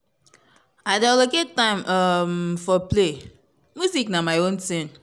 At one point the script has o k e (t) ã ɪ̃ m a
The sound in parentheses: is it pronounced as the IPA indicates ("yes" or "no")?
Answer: yes